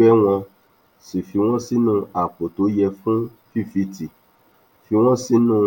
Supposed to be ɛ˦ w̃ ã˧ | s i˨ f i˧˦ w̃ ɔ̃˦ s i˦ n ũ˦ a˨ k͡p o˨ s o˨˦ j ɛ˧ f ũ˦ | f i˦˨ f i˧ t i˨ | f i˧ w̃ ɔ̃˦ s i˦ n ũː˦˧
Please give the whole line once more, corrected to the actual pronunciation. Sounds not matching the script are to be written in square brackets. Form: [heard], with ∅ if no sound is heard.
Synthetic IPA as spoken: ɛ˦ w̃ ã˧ | s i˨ f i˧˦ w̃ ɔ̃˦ s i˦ n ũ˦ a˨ k͡p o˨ [t] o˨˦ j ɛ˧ f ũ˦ | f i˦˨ f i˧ t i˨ | f i˧ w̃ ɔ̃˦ s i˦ n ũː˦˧